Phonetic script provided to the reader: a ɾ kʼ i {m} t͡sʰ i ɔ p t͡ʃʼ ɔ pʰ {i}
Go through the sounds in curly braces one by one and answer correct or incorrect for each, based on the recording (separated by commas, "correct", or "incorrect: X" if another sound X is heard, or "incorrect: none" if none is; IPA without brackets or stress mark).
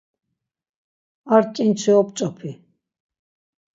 incorrect: n, correct